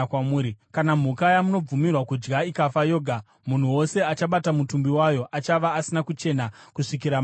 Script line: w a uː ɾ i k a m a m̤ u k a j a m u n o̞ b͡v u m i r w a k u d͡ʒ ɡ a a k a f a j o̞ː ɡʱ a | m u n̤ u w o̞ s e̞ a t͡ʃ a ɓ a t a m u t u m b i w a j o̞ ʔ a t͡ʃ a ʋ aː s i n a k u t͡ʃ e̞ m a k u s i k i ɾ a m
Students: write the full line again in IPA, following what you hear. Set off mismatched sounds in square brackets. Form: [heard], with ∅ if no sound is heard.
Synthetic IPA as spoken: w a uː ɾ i k a [n] a m̤ u k a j a m u n o̞ b͡v u m i r w a k u d͡ʒ ɡ a [i] k a f a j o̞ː ɡʱ a | m u n̤ u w o̞ s e̞ a t͡ʃ a ɓ a t a m u t u m b i w a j o̞ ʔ a t͡ʃ a ʋ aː s i n a k u t͡ʃ e̞ [n] a k u [ʂ] i k i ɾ a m

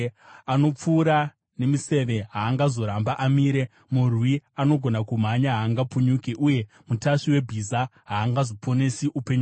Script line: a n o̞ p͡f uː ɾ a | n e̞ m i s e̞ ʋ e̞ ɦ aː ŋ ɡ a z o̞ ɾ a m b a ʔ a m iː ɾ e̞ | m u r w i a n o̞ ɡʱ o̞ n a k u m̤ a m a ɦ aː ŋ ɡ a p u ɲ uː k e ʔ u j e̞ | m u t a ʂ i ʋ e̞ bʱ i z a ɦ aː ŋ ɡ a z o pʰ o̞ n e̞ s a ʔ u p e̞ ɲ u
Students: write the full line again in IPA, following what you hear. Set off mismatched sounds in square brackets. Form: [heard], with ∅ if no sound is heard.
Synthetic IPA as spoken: a n o̞ p͡f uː ɾ a | n e̞ m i s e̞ ʋ e̞ ɦ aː ŋ ɡ a z o̞ ɾ a m b a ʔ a m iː ɾ e̞ | m u r w i a n o̞ ɡʱ o̞ n a k u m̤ a [ɲ] a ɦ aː ŋ ɡ a p u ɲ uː k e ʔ u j e̞ | m u t a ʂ i [w] e̞ bʱ i z a ɦ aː ŋ ɡ a z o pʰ o̞ n e̞ s [i] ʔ u p e̞ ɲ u

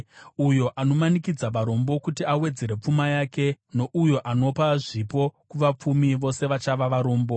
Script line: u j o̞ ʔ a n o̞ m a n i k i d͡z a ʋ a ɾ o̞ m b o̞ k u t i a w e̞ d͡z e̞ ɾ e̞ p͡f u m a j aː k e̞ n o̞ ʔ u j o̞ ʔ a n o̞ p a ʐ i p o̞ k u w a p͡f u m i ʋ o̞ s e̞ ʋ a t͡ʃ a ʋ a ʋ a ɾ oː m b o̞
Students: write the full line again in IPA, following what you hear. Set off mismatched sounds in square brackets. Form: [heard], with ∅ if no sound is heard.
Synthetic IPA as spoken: u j o̞ ʔ a n o̞ m a n i k i d͡z a ʋ a ɾ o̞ m b o̞ k u t i a w e̞ d͡z e̞ ɾ e̞ p͡f u m a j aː k e̞ n o̞ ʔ u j o̞ ʔ a n o̞ p a ʐ i p o̞ k u [ʋ] a p͡f u m i ʋ o̞ s e̞ ʋ a t͡ʃ a ʋ a ʋ a ɾ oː m b o̞

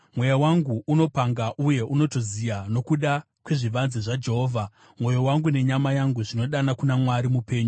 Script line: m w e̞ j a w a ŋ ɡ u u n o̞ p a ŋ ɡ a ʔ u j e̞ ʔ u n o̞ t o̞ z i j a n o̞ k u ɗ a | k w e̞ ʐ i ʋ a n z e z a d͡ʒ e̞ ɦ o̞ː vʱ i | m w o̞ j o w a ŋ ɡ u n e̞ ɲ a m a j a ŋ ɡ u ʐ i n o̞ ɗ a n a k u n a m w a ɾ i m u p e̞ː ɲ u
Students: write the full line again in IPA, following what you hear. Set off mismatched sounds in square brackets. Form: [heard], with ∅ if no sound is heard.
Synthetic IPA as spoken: m w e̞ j a w a ŋ ɡ u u n o̞ p a ŋ ɡ a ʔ u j e̞ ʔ u n o̞ t o̞ z i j a n o̞ k u ɗ a | k w e̞ ʐ i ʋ a n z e [ʐ] a d͡ʒ e̞ ɦ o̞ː vʱ [a] | m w o̞ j o w a ŋ ɡ u n e̞ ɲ a m a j a ŋ ɡ u ʐ i n o̞ ɗ a n a k u n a m w a ɾ i m u p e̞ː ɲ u

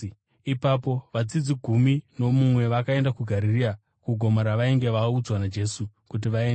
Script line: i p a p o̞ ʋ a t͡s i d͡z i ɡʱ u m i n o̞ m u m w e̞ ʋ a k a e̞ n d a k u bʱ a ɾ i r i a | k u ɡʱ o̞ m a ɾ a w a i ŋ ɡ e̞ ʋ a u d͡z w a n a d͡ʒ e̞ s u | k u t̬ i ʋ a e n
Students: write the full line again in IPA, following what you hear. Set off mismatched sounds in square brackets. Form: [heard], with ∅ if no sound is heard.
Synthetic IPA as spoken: i p a p o̞ ʋ a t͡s i d͡z i ɡʱ u m i n o̞ m u m w e̞ ʋ a k a e̞ n d a k u [ɡʱ] a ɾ i r i a | k u ɡʱ o̞ m a ɾ a [ʋ] a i ŋ ɡ e̞ ʋ a u d͡z w a n a d͡ʒ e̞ s u | k u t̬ i ʋ a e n

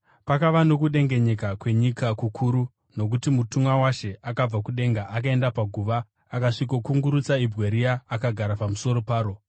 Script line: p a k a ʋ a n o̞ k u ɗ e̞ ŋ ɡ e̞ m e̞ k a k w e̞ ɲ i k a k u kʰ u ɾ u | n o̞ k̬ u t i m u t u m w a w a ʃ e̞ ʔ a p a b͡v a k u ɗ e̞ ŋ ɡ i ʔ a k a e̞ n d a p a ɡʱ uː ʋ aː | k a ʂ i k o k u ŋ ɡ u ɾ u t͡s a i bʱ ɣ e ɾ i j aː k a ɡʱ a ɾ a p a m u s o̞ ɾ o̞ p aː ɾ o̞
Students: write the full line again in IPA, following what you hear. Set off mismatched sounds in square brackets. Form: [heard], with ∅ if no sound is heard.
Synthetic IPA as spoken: p a k a ʋ a n o̞ k u ɗ e̞ ŋ ɡ e̞ [ɲ] e̞ k a k w e̞ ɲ i k a k u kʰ u ɾ u | n o̞ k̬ u t i m u t u m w a w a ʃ e̞ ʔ a [k] a b͡v a k u ɗ e̞ ŋ ɡ [a] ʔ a k a e̞ n d a p a ɡʱ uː ʋ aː | k a ʂ i k o k u ŋ ɡ u ɾ u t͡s a i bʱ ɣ e ɾ i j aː k a ɡʱ a ɾ a p a m u s o̞ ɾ o̞ p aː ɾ o̞

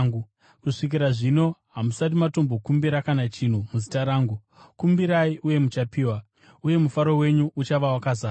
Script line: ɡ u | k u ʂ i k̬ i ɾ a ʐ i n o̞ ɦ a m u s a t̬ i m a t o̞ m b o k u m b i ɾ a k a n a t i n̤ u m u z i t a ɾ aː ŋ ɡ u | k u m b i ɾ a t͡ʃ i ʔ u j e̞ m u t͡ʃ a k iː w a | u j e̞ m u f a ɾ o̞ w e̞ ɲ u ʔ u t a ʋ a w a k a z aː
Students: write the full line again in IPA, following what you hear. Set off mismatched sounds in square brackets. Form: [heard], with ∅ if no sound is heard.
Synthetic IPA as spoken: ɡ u | k u ʂ i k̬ i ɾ a ʐ i n o̞ ɦ a m u s a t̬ i m a t o̞ m b o k u m b i ɾ a k a n a [t͡ʃ] i n̤ u m u z i t a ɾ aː ŋ ɡ u | k u m b i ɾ a [∅] i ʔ u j e̞ m u t͡ʃ a [p] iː w a | u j e̞ m u f a ɾ o̞ w e̞ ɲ u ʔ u [t͡ʃ] a ʋ a w a k a z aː

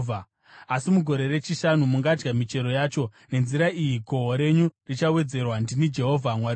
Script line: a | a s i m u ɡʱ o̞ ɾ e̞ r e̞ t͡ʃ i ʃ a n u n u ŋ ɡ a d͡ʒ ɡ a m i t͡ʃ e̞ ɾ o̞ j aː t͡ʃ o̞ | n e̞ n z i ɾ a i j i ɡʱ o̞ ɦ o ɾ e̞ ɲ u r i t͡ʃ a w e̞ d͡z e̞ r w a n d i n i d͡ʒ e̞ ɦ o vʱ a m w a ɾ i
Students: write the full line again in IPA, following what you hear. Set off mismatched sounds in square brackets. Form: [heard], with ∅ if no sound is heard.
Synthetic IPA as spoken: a | a s i m u ɡʱ o̞ ɾ e̞ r e̞ t͡ʃ i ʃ a n u [m] u ŋ ɡ a d͡ʒ ɡ a m i t͡ʃ e̞ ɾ o̞ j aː t͡ʃ o̞ | n e̞ n z i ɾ a i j i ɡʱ o̞ ɦ o ɾ e̞ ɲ u r i t͡ʃ a w e̞ d͡z e̞ r w a n d i n i d͡ʒ e̞ ɦ o vʱ a m w a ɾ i

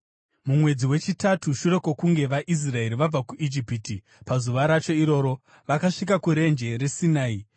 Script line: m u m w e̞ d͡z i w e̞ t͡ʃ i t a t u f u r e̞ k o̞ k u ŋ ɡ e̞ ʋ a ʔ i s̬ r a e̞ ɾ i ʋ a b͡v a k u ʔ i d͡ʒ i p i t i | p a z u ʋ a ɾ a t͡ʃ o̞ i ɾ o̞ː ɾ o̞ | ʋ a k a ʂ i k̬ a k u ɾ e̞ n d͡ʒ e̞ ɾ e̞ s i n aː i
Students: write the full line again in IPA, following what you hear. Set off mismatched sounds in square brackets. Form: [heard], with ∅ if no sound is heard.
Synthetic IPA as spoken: m u m w e̞ d͡z i w e̞ t͡ʃ i t a t u [ʃ] u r e̞ k o̞ k u ŋ ɡ e̞ ʋ a ʔ i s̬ r a e̞ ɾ i ʋ a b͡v a k u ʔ i d͡ʒ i p i t i | p a z u ʋ a ɾ a t͡ʃ o̞ i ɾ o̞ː ɾ o̞ | ʋ a k a ʂ i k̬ a k u ɾ e̞ n d͡ʒ e̞ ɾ e̞ s i n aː i

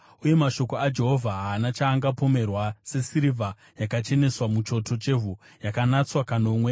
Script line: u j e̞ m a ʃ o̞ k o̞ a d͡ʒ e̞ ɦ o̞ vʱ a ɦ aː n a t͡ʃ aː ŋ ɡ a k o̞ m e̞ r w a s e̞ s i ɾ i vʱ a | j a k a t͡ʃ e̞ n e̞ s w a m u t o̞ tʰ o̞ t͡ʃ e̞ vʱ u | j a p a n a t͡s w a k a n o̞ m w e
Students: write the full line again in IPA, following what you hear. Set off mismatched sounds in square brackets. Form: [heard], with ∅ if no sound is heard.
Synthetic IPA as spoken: u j e̞ m a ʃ o̞ k o̞ a d͡ʒ e̞ ɦ o̞ vʱ a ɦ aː n a t͡ʃ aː ŋ ɡ a [p] o̞ m e̞ r w a s e̞ s i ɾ i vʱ a | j a k a t͡ʃ e̞ n e̞ s w a m u [t͡ʃ] o̞ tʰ o̞ t͡ʃ e̞ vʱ u | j a [k] a n a t͡s w a k a n o̞ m w e

